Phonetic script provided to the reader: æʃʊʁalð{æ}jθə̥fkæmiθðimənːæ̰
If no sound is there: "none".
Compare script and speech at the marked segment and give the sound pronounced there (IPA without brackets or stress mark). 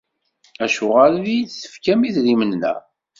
i